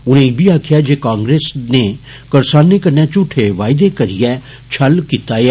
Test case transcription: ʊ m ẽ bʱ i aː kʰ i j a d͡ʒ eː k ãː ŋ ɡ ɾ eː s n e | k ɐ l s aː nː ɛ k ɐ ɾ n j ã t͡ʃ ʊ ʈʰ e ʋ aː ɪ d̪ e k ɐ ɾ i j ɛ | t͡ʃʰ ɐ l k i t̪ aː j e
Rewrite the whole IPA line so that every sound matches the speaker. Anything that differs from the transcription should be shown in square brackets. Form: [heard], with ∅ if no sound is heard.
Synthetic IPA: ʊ [n] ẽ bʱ i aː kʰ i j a d͡ʒ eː k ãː ŋ ɡ ɾ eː s n e | k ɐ [ɾ] s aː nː [e] k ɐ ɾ n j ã t͡ʃ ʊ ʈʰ e ʋ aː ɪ d̪ e k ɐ ɾ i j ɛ | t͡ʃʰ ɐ l k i t̪ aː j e

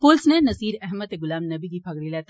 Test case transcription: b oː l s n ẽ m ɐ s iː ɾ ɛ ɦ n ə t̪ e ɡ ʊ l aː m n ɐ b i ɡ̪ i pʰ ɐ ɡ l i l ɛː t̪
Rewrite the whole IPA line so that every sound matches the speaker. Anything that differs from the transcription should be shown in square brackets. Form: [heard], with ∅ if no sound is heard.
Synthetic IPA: [p] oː l s n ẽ [n] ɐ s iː ɾ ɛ ɦ [m] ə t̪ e ɡ ʊ l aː m n ɐ b i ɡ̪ i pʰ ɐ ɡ [ɽ] i l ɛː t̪

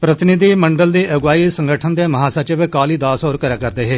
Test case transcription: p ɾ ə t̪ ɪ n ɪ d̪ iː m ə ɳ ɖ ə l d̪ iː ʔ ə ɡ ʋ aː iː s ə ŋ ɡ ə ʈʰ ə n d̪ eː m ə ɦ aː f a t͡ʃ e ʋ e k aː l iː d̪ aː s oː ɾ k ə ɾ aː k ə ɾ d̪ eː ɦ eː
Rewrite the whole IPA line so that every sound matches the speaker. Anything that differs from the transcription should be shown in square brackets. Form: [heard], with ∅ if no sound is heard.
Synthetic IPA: p ɾ ə t̪ ɪ n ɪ d̪ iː m ə ɳ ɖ ə l d̪ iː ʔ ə ɡ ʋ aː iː s ə ŋ ɡ ə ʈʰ ə n d̪ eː m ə ɦ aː [s] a t͡ʃ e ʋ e k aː l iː d̪ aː s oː ɾ k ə ɾ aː k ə ɾ d̪ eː ɦ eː

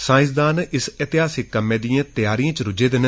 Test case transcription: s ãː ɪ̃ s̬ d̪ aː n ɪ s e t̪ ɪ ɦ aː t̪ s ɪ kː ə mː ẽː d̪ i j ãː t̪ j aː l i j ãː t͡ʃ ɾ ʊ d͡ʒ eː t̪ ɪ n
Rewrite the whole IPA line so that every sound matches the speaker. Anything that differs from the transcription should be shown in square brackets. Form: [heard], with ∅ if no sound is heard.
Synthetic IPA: s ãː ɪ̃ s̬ d̪ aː n ɪ s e t̪ ɪ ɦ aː [∅] s ɪ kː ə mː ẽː d̪ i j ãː t̪ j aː [ɾ] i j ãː t͡ʃ ɾ ʊ d͡ʒ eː [d̪] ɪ n

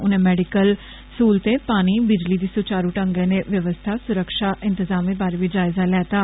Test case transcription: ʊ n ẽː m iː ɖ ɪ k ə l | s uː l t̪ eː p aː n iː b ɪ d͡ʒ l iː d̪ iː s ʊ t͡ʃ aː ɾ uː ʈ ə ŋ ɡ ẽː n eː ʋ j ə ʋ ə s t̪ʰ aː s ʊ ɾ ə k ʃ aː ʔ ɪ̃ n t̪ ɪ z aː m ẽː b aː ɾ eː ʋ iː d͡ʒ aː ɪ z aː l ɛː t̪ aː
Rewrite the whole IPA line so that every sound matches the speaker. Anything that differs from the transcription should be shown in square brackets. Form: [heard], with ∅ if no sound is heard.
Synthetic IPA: ʊ n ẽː m [ɛː] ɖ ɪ k ə l | s uː l t̪ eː p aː n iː b ɪ d͡ʒ l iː d̪ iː s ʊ t͡ʃ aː ɾ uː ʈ ə ŋ ɡ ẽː n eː ʋ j ə ʋ ə s t̪ʰ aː s ʊ ɾ ə k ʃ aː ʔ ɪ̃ n t̪ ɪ z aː m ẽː b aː ɾ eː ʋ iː d͡ʒ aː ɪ z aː l ɛː t̪ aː

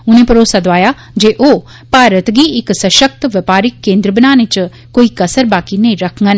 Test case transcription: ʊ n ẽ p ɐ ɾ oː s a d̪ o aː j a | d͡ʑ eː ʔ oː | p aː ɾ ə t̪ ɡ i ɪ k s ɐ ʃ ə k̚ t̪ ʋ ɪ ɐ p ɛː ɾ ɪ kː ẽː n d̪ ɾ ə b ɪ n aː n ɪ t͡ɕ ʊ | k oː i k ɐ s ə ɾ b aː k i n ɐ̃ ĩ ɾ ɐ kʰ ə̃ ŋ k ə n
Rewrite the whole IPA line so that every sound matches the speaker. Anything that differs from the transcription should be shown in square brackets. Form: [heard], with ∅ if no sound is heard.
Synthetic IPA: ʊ n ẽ p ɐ ɾ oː s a d̪ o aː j a | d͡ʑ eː ʔ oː | p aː ɾ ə t̪ ɡ i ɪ k s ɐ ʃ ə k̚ t̪ ʋ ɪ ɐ p [aː] ɾ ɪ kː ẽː n d̪ ɾ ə b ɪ n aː n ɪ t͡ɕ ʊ | k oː i k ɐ s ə ɾ b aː k i n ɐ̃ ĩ ɾ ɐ kʰ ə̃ ŋ [ɡ] ə n

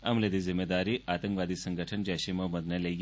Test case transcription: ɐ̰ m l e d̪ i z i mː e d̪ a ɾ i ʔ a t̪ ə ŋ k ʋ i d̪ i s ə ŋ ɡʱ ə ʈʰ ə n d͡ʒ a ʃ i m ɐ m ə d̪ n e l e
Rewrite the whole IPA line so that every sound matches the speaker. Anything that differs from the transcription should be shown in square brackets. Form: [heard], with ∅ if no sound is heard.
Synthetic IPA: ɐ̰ m l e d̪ i z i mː e d̪ a ɾ i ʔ a t̪ ə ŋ k ʋ [a] d̪ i s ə ŋ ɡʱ ə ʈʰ ə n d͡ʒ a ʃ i m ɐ m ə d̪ n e l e

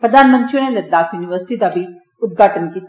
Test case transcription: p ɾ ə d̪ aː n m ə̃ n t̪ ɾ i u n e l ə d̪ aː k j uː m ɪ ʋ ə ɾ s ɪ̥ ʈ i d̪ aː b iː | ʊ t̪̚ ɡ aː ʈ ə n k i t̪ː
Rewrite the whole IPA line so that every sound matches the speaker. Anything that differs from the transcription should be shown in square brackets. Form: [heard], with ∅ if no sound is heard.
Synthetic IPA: p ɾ ə d̪ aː n m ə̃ n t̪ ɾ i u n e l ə d̪ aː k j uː [n] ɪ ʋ ə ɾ s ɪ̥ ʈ i d̪ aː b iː | ʊ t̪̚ ɡ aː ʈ ə n k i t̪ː

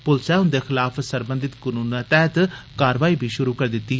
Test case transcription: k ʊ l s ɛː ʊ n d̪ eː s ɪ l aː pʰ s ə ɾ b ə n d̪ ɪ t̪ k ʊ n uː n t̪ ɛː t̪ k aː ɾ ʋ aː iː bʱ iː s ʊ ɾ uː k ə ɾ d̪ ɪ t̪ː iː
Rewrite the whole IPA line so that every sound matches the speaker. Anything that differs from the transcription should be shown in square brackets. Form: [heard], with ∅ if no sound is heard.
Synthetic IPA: [p] ʊ l s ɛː ʊ n d̪ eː [x] ɪ l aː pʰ s ə ɾ b ə n d̪ ɪ t̪ k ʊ n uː n t̪ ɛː t̪ k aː ɾ ʋ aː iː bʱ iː [ʃ] ʊ ɾ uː k ə ɾ d̪ ɪ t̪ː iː

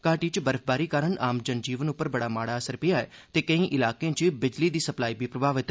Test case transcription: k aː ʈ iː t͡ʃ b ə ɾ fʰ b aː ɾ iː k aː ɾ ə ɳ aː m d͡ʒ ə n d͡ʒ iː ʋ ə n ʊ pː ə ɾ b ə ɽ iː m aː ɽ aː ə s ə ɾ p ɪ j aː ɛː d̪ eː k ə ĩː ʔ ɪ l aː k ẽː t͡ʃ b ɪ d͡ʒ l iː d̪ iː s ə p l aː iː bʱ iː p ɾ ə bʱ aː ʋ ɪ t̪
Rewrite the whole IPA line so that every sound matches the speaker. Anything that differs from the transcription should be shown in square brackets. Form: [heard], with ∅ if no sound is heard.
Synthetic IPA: k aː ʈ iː t͡ʃ b ə ɾ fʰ b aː ɾ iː k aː ɾ ə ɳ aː m d͡ʒ ə n d͡ʒ iː ʋ ə n ʊ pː ə ɾ b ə ɽ [aː] m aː ɽ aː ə s ə ɾ p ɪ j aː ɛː [t̪] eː k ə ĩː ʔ ɪ l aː k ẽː t͡ʃ b ɪ d͡ʒ l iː d̪ iː s ə p l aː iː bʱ iː p ɾ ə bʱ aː ʋ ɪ t̪

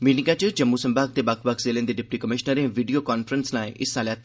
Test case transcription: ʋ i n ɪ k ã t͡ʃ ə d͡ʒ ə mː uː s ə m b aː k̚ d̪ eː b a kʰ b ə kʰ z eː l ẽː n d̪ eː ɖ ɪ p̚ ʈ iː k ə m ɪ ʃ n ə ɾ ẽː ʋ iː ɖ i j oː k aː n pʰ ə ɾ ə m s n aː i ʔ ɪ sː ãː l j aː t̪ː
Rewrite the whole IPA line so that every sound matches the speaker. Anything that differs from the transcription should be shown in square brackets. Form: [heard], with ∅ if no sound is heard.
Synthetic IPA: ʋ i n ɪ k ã t͡ʃ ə d͡ʒ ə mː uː s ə m b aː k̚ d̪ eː b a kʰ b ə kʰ z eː l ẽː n d̪ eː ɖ ɪ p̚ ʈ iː k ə m ɪ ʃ n ə ɾ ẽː ʋ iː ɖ i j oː k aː n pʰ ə ɾ ə [n] s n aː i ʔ ɪ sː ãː l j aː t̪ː

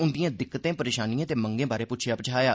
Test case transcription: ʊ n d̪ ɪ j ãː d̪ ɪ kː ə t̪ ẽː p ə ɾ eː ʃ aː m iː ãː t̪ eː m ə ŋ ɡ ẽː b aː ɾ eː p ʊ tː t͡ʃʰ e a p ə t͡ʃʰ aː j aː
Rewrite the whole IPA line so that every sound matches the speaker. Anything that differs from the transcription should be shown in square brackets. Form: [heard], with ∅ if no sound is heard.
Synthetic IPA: ʊ n d̪ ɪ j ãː d̪ ɪ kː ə t̪ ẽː p ə ɾ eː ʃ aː [n] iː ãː t̪ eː m ə ŋ ɡ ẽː b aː ɾ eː p ʊ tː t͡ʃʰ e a p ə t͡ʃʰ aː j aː

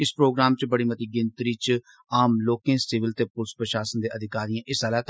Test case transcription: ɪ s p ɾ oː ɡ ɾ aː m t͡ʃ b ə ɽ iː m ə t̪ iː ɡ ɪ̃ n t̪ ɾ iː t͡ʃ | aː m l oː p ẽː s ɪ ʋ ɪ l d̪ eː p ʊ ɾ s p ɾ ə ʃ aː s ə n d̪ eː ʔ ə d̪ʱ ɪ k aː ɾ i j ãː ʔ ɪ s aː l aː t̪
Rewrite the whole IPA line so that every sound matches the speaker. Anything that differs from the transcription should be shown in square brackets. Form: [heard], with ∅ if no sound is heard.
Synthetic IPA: ɪ s p ɾ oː ɡ ɾ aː m t͡ʃ b ə ɽ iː m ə t̪ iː ɡ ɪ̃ n t̪ ɾ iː t͡ʃ | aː m l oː [k] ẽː s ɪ ʋ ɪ l [t̪] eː p ʊ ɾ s p ɾ ə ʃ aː s ə n d̪ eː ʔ ə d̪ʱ ɪ k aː ɾ i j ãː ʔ ɪ s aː l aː t̪

